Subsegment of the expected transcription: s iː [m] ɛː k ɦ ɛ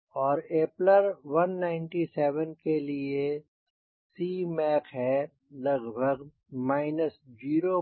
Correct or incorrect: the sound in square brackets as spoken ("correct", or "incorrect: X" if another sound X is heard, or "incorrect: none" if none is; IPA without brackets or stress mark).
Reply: correct